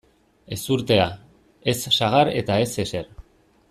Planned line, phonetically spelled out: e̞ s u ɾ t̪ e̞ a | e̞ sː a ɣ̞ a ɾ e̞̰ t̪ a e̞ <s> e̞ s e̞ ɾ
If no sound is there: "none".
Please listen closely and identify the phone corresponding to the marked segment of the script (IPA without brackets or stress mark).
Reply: s